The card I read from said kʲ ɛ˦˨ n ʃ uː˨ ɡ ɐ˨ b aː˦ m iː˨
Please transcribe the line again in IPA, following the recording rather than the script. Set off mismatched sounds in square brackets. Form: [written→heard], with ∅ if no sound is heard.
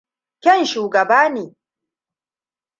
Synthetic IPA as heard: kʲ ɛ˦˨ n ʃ uː˨ ɡ ɐ˨ b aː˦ [m→n] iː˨